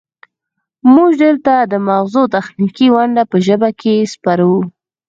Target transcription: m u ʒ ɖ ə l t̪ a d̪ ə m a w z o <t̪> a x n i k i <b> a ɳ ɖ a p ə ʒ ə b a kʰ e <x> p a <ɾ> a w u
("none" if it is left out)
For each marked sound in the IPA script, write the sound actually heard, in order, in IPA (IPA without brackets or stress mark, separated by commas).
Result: t̪, w, s, ɾ